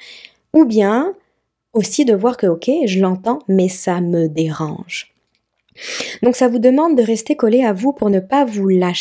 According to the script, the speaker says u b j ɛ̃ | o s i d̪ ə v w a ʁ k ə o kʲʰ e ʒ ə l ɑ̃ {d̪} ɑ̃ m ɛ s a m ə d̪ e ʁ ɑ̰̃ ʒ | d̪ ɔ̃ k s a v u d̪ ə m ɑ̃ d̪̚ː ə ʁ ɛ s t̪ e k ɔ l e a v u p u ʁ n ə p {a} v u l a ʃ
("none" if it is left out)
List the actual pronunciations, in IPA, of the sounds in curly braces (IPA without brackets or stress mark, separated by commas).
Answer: t̪, a